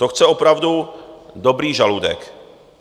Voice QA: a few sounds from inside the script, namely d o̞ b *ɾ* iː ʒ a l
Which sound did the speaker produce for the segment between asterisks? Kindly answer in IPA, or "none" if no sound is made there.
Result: ɾ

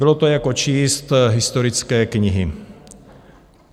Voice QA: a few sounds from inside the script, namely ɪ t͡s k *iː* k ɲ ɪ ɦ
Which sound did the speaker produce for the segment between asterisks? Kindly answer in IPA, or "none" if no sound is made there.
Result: ɛː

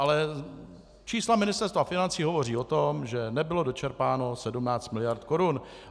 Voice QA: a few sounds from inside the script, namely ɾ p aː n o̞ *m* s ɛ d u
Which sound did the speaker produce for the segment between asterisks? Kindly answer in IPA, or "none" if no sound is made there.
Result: none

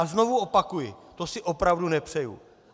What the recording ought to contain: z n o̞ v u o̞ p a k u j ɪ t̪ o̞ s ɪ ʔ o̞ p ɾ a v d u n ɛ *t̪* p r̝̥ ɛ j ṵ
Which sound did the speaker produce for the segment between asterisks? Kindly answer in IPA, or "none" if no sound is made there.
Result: none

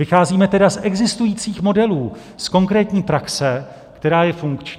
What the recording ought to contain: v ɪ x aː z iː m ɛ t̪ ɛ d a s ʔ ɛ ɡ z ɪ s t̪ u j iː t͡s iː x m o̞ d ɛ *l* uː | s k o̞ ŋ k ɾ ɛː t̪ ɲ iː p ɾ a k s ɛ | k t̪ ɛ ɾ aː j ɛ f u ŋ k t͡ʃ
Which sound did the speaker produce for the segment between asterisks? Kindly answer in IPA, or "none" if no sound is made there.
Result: l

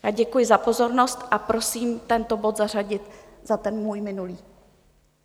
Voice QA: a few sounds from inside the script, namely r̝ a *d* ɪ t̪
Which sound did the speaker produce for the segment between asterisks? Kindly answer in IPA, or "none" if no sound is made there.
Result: ɟ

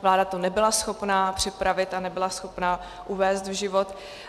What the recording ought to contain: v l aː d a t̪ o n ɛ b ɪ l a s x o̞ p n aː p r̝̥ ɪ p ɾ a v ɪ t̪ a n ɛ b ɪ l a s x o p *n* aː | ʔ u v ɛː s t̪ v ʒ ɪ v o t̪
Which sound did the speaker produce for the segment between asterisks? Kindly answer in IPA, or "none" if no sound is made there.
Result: n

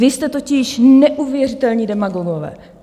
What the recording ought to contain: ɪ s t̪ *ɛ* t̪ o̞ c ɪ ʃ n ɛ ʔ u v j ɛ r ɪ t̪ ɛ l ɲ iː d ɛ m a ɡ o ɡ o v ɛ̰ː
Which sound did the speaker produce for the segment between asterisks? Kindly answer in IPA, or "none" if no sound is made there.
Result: ɛ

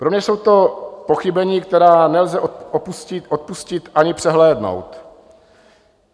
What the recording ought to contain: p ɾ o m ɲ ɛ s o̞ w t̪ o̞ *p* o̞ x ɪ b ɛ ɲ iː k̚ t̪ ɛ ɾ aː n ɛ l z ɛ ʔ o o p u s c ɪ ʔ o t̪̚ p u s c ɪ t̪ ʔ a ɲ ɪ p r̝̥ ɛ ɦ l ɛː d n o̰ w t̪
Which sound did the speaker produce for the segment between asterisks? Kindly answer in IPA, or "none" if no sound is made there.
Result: p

